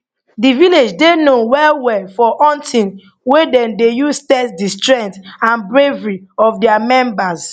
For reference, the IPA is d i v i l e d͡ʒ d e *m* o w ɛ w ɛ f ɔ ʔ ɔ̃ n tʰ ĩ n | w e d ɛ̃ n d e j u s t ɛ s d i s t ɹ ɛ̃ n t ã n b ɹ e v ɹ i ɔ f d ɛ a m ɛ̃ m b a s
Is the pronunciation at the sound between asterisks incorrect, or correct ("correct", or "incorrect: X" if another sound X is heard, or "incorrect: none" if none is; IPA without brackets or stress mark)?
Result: incorrect: n